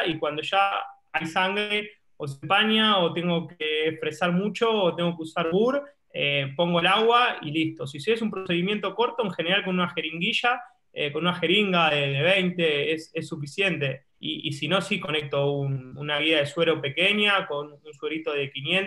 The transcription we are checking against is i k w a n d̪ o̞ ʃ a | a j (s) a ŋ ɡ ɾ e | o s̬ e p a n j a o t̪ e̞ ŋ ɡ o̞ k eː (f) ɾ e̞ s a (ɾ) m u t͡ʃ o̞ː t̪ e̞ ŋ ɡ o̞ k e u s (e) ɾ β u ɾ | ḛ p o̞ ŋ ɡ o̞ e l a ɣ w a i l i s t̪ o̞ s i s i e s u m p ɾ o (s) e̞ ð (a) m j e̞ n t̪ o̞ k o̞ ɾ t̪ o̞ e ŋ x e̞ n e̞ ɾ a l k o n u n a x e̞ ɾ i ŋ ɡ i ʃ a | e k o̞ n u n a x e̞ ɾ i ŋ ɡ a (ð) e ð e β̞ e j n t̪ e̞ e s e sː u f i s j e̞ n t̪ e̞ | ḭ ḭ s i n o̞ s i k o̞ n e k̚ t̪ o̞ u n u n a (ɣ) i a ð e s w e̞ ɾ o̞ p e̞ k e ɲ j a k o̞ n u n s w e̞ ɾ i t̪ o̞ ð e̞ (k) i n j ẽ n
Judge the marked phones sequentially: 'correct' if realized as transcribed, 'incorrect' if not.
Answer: correct, correct, correct, incorrect: a, correct, incorrect: i, correct, correct, correct

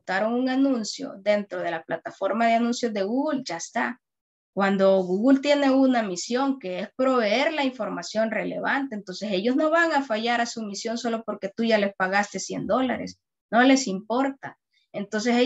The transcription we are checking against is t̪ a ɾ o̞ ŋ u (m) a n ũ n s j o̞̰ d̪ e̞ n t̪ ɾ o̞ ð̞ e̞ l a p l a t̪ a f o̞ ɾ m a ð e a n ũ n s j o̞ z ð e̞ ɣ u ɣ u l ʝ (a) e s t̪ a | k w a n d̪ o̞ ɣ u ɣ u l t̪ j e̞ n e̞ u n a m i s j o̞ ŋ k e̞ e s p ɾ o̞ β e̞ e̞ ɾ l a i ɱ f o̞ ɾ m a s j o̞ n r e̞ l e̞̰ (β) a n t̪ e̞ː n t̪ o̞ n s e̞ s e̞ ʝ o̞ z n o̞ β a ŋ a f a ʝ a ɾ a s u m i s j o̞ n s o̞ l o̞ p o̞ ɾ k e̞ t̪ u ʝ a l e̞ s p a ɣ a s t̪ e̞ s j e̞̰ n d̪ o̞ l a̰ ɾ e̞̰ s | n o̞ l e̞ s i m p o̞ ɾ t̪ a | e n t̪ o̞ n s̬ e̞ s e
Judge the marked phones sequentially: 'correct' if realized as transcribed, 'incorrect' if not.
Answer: incorrect: ŋ, correct, correct

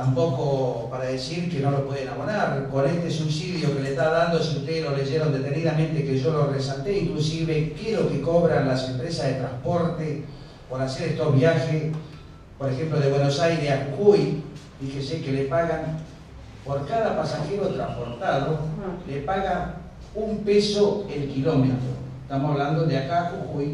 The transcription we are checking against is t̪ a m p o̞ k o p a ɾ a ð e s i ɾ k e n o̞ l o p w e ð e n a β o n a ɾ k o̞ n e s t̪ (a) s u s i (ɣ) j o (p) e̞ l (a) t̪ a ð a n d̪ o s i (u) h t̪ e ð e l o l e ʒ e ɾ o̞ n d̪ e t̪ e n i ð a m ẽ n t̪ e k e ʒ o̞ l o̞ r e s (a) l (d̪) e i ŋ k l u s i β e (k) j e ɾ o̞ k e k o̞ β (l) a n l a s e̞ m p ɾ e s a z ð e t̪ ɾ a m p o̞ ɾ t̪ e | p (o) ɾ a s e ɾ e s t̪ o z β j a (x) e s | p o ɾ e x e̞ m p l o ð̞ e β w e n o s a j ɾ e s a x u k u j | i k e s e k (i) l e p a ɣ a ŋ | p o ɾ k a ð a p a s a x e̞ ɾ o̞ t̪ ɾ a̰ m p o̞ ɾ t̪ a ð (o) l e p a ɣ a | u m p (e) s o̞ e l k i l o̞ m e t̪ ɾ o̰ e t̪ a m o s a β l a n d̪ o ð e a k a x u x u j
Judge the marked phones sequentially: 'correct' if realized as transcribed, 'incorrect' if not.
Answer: incorrect: e, incorrect: ð, incorrect: k, incorrect: e, correct, correct, incorrect: t̪, correct, incorrect: ɾ, correct, correct, incorrect: e, correct, correct

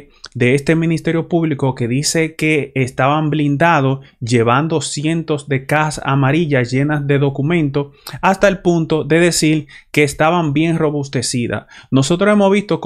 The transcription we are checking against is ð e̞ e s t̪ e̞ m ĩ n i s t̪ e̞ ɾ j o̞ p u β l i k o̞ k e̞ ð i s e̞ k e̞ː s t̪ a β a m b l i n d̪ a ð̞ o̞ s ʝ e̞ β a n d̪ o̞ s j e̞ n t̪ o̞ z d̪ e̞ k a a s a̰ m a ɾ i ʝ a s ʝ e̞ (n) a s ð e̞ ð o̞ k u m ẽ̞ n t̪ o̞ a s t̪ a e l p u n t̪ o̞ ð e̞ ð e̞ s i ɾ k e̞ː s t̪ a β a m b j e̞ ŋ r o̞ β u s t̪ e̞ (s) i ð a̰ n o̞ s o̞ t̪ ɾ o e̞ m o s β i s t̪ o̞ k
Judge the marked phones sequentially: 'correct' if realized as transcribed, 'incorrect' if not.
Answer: correct, correct

